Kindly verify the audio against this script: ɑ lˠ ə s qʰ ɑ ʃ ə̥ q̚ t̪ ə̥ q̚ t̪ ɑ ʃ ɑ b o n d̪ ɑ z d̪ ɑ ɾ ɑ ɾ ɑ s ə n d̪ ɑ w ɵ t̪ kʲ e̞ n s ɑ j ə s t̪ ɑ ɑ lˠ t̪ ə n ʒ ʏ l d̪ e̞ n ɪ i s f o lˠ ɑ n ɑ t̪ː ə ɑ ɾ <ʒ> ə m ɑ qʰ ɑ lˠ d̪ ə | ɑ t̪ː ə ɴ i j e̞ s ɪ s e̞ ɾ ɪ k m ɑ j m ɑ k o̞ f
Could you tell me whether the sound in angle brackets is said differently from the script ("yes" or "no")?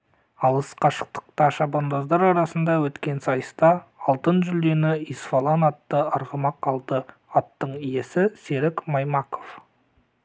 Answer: yes